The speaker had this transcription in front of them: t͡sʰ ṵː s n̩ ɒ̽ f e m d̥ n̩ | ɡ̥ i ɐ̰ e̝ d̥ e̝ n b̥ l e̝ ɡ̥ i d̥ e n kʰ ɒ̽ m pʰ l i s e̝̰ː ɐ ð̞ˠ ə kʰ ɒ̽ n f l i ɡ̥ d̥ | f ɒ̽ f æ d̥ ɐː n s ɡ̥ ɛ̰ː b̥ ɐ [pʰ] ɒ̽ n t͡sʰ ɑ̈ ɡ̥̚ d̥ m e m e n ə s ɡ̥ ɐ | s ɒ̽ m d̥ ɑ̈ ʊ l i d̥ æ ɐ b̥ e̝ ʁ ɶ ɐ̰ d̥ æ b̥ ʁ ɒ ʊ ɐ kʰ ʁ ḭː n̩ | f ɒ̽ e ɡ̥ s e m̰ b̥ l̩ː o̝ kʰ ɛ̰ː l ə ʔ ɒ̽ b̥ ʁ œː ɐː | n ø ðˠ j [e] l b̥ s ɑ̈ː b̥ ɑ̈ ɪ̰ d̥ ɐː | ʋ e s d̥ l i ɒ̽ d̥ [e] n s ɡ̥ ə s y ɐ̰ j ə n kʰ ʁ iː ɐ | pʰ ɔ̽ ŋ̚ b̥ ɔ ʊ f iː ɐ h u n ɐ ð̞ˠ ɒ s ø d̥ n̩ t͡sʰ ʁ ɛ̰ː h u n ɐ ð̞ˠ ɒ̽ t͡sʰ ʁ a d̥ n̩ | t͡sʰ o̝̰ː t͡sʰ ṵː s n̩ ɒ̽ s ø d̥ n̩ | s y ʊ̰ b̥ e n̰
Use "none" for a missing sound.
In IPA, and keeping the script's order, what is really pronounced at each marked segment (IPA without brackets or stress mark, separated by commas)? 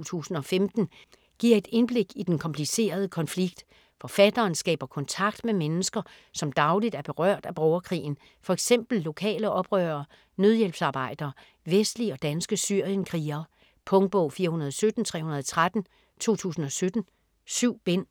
kʰ, e, æ